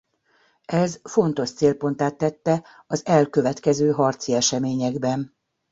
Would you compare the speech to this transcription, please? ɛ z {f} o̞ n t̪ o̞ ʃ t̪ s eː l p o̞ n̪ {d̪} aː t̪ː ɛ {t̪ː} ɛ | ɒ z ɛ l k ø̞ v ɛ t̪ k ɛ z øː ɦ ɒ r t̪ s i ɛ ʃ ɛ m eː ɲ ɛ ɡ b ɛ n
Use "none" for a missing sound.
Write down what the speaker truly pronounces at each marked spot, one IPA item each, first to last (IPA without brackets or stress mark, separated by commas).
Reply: f, t̪, t̪ː